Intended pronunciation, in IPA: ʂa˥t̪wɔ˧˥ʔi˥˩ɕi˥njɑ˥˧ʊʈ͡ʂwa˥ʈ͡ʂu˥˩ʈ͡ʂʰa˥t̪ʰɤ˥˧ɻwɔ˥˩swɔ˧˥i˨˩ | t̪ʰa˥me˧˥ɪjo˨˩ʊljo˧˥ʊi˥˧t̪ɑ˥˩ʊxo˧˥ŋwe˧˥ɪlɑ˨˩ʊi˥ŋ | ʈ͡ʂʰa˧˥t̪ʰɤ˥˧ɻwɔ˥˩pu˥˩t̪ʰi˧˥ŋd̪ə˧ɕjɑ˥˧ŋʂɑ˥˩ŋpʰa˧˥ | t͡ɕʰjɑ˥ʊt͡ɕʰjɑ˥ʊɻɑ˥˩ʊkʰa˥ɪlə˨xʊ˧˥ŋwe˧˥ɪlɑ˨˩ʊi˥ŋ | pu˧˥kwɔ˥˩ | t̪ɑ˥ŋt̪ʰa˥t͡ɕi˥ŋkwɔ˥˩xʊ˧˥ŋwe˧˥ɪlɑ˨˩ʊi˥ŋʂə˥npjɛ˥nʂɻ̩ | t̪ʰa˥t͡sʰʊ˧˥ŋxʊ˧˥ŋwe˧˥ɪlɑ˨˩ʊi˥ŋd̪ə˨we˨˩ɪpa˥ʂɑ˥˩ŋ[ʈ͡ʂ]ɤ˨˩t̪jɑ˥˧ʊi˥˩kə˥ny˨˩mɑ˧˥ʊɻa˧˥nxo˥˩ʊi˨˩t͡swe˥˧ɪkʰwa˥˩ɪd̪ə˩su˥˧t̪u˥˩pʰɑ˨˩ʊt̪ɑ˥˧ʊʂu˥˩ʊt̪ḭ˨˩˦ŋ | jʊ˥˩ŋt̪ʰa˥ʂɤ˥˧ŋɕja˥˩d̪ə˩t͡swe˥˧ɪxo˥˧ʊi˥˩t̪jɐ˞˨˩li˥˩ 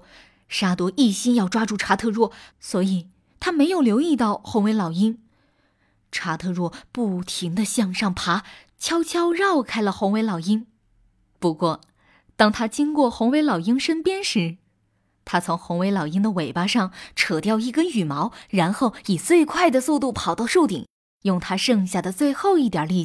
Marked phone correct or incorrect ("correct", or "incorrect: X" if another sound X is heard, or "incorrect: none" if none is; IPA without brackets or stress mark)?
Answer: incorrect: ʈ͡ʂʰ